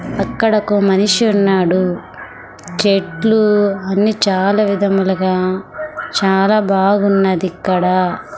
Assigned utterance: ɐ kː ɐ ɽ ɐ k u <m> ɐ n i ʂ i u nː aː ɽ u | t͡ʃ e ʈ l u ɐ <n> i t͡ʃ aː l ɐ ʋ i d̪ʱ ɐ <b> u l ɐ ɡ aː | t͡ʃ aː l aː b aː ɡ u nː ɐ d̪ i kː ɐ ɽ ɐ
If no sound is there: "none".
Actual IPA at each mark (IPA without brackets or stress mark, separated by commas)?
m, nː, m